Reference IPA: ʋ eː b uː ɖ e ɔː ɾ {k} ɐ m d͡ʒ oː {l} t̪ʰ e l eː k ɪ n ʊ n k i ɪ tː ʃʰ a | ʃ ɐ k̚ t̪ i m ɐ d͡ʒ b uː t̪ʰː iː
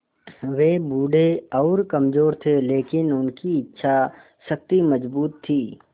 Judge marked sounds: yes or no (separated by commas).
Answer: yes, no